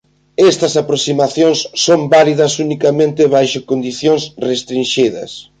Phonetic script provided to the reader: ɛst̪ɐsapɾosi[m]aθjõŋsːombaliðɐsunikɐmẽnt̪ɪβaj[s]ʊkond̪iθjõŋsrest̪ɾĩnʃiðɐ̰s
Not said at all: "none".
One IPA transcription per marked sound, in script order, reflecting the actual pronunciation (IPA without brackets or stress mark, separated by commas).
m, ʃ